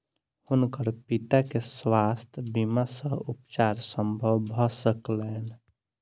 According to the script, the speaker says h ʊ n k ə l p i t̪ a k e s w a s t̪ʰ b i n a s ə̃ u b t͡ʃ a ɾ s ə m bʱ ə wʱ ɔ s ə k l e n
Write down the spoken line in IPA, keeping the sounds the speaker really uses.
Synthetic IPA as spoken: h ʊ n k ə ɾ p i t̪ a k e s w a s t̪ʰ b i m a s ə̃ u p t͡ʃ a ɾ s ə m bʱ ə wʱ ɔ s ə k l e n